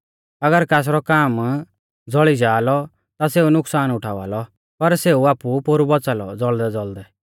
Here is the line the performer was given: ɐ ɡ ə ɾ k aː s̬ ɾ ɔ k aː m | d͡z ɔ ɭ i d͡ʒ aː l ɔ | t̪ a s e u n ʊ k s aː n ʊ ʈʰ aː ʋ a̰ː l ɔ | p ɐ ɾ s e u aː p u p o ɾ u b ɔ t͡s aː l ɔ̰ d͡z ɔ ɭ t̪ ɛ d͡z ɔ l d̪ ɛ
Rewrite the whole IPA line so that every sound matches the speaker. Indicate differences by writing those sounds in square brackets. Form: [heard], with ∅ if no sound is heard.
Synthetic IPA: ɐ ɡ ə ɾ k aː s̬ ɾ ɔ k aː m | d͡z ɔ ɭ i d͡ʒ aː l ɔ | t̪ a s e u n ʊ k s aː n ʊ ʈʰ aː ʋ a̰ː l ɔ | p ɐ ɾ s e u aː p u p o ɾ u b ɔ t͡s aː l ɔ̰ d͡z ɔ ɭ [d̪] ɛ d͡z ɔ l d̪ ɛ